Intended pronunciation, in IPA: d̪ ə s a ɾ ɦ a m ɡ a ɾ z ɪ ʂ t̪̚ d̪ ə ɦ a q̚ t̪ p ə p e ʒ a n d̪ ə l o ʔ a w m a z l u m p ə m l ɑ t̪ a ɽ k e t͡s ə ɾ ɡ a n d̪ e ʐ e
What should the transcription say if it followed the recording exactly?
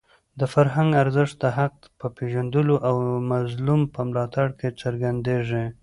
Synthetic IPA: d̪ ə f a ɾ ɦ a ŋ ɡ a ɾ z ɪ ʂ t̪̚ d̪ ə ɦ a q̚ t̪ p ə p e ʒ a n d̪ ə l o ʔ a w m a z l u m p ə m l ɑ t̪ a ɽ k e t͡s ə ɾ ɡ a n d̪ e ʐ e